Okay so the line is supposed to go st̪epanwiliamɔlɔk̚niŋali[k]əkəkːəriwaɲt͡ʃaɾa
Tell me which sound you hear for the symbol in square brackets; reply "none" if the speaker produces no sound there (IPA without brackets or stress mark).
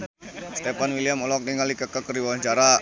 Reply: k